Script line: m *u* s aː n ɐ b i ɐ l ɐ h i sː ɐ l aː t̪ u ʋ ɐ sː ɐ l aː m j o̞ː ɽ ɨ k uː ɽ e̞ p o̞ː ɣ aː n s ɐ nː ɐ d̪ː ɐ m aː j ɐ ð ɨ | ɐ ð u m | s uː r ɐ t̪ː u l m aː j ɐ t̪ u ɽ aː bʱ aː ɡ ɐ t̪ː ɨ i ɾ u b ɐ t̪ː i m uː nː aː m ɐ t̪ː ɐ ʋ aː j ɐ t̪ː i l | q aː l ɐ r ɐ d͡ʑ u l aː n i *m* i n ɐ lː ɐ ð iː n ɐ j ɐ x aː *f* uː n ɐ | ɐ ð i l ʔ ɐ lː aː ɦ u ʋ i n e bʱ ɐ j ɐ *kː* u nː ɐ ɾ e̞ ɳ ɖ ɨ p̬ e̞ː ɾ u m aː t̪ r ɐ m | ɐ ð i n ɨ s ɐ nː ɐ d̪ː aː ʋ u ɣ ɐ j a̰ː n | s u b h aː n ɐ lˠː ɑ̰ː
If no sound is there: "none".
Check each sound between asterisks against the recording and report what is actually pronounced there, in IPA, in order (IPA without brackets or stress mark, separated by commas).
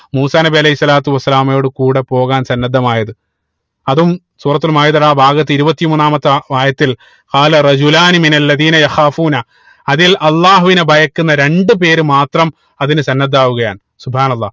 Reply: uː, m, f, kː